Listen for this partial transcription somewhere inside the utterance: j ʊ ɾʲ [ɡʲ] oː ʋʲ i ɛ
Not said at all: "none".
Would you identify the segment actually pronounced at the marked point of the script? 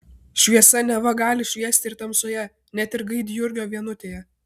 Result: ɡʲ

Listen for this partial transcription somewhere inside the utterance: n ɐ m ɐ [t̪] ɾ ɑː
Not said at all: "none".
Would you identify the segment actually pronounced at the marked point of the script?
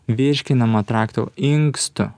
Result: t̪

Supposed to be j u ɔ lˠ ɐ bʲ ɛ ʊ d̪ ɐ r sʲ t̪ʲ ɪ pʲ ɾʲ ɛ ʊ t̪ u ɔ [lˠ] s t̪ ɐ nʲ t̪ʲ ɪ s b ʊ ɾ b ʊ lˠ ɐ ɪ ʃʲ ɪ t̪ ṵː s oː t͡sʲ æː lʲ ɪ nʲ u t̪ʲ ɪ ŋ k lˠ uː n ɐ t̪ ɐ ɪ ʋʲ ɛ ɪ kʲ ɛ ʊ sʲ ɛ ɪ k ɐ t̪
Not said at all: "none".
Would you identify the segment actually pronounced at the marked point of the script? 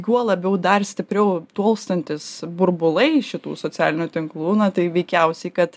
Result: lˠ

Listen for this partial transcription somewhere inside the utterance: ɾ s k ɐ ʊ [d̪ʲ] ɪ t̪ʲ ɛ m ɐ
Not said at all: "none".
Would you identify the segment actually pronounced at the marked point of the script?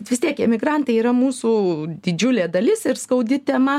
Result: d̪ʲ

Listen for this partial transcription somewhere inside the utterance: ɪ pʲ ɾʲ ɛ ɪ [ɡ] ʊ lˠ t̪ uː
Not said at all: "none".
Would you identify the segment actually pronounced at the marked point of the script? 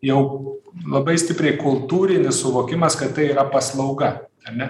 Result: k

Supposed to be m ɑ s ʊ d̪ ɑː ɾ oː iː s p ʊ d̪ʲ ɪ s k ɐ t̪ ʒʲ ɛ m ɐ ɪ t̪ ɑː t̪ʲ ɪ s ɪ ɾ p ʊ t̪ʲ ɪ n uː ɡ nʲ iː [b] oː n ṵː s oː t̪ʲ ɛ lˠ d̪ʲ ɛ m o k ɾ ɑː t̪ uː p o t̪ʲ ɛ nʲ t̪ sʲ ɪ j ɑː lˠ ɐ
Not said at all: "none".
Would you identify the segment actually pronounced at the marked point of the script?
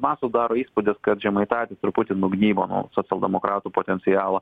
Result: b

